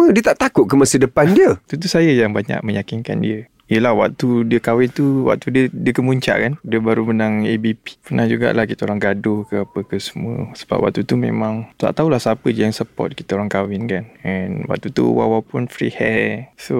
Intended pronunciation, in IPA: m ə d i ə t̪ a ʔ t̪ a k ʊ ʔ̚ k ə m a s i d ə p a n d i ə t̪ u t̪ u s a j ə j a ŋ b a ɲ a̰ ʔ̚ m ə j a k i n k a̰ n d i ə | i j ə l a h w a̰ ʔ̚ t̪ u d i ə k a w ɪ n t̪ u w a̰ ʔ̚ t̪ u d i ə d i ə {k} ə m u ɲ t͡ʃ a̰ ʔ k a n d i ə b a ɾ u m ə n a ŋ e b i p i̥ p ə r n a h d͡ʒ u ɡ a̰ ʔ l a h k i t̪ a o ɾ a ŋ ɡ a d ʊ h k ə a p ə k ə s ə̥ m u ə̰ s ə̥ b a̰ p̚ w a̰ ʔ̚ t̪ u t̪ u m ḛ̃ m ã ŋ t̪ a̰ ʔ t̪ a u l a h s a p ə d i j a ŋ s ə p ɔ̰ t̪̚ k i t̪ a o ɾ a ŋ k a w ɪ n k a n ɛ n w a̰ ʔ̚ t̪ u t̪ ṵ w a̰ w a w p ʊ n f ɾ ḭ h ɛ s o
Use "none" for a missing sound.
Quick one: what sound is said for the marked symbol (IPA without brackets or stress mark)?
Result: k